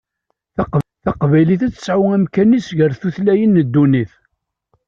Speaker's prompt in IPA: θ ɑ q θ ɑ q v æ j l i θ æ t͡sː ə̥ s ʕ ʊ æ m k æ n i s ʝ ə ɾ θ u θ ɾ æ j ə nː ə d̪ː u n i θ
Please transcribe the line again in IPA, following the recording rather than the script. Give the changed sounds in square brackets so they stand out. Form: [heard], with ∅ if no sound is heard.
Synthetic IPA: θ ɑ q θ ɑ q v æ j l i θ æ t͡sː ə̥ s ʕ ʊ æ m k æ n i s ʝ ə ɾ θ u θ [l] æ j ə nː ə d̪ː u n i θ